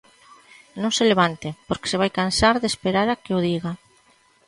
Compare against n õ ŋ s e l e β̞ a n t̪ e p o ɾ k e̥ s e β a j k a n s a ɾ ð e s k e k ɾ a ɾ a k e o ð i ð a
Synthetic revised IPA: n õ ŋ s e l e β̞ a n t̪ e p o ɾ k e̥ s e β a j k a n s a ɾ ð e s p e ɾ a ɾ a k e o ð i ɣ a